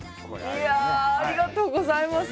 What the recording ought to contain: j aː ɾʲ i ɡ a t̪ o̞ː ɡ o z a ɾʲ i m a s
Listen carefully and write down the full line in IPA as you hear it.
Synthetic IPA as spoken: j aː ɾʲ i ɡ a t̪ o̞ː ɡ o z a i m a s